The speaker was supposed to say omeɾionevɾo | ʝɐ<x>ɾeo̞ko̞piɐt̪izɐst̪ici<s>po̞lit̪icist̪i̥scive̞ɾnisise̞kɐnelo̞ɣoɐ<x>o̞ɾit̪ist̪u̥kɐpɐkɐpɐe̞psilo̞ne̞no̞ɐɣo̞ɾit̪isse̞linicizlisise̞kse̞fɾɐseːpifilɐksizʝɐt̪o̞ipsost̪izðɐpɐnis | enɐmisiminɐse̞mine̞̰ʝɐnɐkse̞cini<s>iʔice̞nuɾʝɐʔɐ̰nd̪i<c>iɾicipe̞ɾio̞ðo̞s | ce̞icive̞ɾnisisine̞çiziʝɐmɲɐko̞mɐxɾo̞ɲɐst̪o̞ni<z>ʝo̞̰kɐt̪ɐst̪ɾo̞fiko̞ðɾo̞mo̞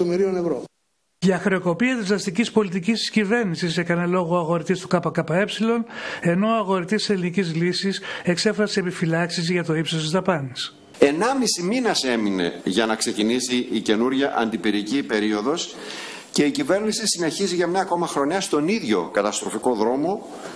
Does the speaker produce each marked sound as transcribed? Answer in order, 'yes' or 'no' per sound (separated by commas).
yes, yes, no, yes, no, no